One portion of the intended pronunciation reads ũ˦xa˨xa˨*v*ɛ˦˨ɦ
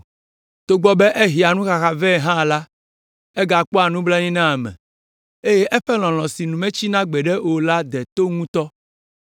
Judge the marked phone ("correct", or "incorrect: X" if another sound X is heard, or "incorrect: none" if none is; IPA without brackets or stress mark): correct